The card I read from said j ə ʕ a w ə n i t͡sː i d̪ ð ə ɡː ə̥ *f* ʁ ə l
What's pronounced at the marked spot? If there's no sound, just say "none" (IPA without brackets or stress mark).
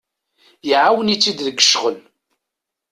ʃ